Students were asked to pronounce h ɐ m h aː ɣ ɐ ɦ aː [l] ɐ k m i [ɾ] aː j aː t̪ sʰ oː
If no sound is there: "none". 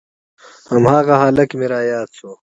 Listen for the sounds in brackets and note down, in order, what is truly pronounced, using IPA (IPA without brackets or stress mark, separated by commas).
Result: l, ɾ